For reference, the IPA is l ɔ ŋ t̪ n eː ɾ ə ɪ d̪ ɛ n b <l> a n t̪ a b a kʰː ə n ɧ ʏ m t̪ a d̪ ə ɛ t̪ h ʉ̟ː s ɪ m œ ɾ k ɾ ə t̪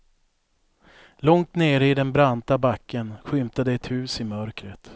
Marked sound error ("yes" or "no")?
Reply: yes